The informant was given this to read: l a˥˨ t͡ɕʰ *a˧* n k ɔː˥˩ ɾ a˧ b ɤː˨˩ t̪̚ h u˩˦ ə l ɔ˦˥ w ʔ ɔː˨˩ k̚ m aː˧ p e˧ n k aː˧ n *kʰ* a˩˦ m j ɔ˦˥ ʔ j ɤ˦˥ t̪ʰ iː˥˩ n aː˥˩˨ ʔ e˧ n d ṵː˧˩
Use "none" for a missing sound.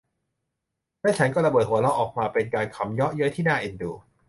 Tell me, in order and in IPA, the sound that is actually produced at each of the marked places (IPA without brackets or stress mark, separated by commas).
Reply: a˦˥, kʰ